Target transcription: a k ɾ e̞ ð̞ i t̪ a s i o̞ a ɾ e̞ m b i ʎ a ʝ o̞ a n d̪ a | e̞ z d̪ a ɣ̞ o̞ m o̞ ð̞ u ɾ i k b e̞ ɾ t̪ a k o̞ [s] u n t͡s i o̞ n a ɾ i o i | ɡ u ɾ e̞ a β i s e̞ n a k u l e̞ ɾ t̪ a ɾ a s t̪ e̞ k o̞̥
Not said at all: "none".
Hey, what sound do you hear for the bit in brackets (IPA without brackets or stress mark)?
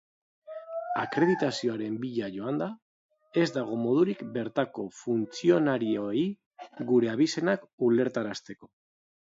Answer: f